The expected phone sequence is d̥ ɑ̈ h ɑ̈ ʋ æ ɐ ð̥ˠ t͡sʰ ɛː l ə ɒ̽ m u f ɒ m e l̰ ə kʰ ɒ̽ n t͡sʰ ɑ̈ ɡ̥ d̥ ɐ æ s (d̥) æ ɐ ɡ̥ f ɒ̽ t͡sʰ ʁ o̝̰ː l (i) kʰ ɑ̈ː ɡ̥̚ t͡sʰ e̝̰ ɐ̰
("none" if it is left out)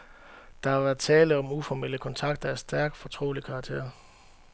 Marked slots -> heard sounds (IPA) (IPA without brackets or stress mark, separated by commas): d̥, i